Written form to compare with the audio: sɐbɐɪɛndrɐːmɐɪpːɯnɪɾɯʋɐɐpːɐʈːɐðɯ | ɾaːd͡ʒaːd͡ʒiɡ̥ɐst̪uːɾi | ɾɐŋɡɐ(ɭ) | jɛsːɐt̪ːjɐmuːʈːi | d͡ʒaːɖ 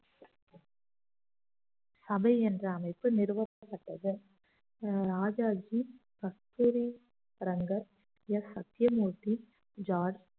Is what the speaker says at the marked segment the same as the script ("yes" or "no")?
no